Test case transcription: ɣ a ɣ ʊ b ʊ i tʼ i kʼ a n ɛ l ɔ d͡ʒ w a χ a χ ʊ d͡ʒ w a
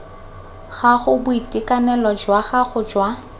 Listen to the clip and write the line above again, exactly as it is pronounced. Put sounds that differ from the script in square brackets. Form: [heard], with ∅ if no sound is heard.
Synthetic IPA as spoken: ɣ a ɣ ʊ b ʊ i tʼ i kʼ a n ɛ l ɔ d͡ʒ w a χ a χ ʊ d͡ʒ w a